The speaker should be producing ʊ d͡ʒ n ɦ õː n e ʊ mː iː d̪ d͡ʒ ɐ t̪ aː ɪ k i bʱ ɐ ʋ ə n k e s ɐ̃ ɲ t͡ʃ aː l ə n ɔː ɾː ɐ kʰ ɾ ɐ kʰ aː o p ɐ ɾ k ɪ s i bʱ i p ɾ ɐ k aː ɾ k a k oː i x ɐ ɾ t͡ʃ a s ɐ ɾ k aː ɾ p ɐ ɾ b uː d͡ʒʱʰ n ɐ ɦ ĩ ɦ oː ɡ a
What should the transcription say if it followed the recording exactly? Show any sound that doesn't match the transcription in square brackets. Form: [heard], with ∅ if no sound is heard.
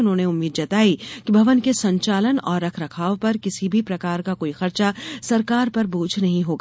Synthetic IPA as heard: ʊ [∅] n ɦ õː n e ʊ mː iː d̪ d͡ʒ ɐ t̪ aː [i] k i bʱ ɐ ʋ ə n k e s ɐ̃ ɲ t͡ʃ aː l ə n ɔː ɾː ɐ kʰ ɾ ɐ kʰ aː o p ɐ ɾ k ɪ s i bʱ i p ɾ ɐ k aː ɾ k a k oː i x ɐ ɾ t͡ʃ a s ɐ ɾ k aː ɾ p ɐ ɾ b uː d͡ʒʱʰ n ɐ ɦ ĩ ɦ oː ɡ a